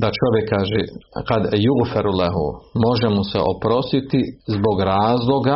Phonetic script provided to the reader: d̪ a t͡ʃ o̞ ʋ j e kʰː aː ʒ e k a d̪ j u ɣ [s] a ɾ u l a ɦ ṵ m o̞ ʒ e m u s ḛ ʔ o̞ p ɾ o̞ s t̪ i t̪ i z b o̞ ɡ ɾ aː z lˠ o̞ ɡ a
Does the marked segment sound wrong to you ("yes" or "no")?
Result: yes